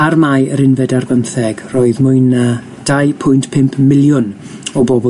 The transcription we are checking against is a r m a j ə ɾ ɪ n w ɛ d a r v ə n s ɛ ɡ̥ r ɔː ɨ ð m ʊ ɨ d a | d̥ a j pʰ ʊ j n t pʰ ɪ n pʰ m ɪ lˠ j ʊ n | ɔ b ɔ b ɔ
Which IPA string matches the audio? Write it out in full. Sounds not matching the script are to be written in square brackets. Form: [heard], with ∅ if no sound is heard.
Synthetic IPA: a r m a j ə ɾ ɪ n [v] ɛ d a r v ə n [θ] ɛ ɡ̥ r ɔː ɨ ð m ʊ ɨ [n] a | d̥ a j pʰ ʊ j n t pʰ ɪ [m] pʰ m ɪ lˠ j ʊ n | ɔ b ɔ b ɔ